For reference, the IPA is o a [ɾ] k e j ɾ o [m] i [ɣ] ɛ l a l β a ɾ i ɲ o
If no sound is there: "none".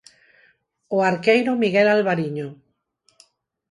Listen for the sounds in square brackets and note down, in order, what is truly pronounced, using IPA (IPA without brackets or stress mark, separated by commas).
ɾ, m, ɣ